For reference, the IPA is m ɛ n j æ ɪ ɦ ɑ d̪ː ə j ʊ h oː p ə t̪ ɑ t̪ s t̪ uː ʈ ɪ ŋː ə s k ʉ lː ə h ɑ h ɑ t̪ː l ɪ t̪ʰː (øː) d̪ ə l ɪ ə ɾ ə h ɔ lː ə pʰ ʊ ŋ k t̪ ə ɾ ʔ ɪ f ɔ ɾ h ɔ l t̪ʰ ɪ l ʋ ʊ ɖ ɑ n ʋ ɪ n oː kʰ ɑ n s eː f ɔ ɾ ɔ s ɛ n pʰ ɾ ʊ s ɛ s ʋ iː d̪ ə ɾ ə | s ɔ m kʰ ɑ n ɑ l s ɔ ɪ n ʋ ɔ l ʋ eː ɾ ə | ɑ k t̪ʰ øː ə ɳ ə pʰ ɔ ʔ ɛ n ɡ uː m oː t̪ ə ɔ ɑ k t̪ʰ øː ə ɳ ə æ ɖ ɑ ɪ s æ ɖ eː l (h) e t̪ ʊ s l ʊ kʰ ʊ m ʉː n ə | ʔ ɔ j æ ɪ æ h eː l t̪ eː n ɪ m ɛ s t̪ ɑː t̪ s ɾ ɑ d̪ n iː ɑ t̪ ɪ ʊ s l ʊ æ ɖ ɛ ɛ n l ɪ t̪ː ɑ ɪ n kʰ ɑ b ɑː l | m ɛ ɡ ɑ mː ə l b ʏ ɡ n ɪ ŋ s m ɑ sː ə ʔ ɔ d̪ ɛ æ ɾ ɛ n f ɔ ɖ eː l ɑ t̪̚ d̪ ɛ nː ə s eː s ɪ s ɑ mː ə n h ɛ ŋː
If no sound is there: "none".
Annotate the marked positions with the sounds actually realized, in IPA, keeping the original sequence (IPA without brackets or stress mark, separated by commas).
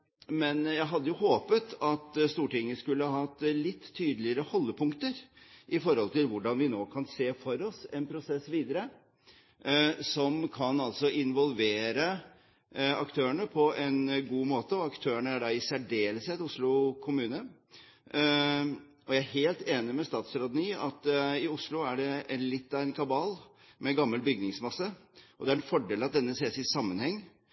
yː, s